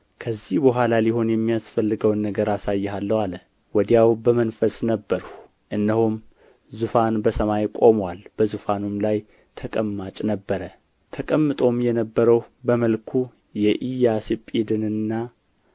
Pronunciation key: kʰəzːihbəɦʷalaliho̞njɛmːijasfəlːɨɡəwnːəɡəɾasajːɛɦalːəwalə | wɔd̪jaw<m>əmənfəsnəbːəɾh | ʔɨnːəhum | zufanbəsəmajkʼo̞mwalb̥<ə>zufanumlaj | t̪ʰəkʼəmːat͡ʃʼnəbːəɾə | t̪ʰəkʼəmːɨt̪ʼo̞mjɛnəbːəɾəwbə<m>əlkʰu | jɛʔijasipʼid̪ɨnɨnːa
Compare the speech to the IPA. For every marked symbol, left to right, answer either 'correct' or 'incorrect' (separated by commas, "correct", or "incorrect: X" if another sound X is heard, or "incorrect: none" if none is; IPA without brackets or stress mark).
incorrect: b, correct, correct